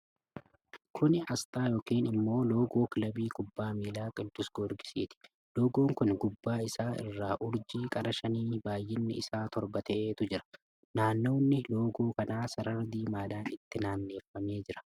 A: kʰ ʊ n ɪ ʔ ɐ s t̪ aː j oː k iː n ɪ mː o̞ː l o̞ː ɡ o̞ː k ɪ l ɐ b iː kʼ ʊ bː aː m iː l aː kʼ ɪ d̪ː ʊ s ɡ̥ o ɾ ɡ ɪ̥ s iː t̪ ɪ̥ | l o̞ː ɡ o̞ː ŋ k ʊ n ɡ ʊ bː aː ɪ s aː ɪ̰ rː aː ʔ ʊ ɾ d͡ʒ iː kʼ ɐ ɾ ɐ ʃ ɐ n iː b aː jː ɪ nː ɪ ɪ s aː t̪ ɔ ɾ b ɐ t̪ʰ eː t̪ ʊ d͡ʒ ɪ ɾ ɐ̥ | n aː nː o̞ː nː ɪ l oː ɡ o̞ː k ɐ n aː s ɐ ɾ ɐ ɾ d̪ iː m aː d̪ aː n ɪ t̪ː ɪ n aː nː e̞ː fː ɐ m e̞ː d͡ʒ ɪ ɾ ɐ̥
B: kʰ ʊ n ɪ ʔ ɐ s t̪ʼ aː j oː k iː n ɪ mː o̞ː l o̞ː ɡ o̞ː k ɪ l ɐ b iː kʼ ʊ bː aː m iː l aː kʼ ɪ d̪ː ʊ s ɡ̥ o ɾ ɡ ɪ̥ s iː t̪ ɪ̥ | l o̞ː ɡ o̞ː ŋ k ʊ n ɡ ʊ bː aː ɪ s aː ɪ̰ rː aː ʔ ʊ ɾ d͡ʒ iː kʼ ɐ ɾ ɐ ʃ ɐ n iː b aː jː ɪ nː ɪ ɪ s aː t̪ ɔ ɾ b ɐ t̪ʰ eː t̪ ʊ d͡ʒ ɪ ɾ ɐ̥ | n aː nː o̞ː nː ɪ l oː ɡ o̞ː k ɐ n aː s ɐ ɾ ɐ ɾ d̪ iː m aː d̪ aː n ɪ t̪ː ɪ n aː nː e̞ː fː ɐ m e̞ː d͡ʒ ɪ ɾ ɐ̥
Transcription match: B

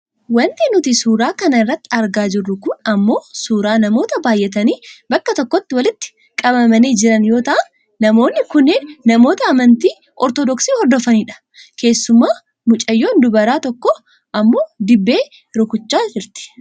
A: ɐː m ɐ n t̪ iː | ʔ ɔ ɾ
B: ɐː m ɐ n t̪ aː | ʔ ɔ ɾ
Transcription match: A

